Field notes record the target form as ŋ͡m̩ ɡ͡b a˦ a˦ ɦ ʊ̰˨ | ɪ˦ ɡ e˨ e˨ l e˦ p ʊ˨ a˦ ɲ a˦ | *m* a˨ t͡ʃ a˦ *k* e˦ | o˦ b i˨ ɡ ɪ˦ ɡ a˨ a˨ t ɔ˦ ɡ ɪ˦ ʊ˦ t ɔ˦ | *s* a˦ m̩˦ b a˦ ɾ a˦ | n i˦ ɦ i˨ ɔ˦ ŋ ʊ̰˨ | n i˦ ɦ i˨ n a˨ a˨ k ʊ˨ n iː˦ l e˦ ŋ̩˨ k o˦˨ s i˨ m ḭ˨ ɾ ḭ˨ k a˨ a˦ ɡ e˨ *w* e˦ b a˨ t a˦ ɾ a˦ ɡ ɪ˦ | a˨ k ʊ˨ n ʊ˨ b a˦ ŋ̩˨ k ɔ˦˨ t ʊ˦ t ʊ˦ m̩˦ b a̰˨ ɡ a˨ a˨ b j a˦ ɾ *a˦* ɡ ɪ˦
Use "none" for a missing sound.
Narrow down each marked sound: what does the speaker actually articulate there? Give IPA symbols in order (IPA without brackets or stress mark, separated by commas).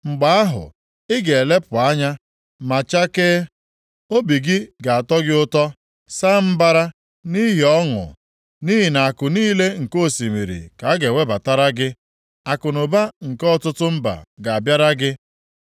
m, k, s, w, a˦